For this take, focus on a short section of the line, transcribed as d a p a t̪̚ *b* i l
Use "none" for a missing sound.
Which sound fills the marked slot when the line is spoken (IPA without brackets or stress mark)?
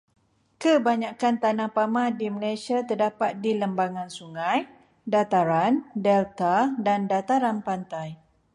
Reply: d